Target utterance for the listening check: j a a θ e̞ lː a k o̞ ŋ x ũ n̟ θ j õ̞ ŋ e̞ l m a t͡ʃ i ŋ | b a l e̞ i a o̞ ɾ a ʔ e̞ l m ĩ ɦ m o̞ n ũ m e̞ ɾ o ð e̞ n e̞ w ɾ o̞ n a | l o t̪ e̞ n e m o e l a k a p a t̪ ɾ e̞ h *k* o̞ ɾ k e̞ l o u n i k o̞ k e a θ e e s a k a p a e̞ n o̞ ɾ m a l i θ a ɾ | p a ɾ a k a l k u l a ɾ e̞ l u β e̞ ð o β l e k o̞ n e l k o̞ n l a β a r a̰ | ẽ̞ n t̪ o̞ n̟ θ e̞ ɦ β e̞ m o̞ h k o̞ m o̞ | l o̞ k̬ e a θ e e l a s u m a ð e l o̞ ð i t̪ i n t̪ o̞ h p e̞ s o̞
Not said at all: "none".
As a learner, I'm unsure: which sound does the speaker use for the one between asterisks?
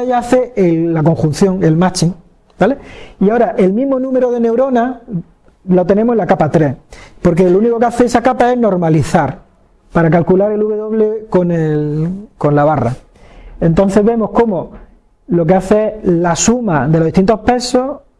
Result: p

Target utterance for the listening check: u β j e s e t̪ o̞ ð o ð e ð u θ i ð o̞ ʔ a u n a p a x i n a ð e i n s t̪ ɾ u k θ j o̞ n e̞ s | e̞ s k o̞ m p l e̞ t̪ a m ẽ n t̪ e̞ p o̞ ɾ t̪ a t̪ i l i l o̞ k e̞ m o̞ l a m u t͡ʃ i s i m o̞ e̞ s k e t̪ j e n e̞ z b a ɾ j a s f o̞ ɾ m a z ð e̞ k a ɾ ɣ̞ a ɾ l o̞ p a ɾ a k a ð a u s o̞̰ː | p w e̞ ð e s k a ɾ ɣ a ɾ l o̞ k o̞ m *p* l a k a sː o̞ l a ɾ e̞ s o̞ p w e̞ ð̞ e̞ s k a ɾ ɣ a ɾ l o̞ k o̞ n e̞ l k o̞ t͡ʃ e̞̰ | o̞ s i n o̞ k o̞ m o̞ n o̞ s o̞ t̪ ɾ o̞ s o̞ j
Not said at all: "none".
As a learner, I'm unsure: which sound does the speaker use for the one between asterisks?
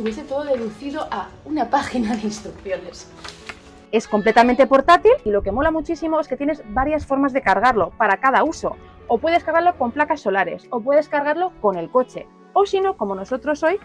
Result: p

